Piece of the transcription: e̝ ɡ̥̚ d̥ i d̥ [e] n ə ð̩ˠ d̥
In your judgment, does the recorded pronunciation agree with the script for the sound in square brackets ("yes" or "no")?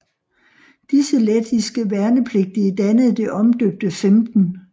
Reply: no